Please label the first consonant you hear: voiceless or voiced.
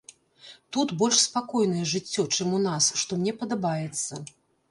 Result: voiceless